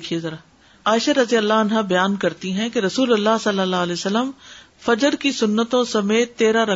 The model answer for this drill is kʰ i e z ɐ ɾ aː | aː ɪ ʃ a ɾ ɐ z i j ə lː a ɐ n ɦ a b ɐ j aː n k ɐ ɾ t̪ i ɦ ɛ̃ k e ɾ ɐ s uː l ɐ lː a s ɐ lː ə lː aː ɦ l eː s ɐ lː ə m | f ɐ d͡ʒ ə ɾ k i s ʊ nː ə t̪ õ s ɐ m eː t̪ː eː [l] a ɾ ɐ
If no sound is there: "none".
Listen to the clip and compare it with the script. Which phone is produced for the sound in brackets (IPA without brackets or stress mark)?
ɾ